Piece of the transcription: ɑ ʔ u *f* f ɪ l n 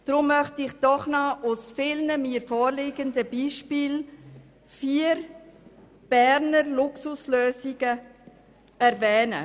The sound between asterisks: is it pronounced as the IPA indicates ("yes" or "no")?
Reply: no